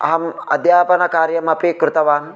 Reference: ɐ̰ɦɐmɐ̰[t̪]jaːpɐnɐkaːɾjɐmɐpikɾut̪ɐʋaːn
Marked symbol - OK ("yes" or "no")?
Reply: no